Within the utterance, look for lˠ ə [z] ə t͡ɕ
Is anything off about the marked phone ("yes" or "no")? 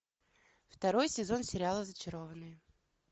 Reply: no